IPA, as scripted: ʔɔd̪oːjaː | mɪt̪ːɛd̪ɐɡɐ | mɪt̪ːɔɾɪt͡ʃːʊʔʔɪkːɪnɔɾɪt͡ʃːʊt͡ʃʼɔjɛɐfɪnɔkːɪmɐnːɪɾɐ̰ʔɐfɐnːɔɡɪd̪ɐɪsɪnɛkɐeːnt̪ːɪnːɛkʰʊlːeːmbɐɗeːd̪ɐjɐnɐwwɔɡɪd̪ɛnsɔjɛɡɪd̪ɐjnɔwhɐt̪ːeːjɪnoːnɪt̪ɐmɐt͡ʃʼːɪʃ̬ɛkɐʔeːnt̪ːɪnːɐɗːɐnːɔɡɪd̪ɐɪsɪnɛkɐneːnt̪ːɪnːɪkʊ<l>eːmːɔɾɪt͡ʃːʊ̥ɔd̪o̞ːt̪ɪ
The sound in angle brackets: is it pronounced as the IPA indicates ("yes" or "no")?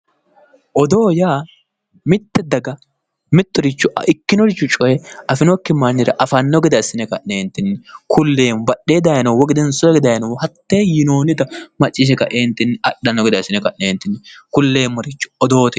no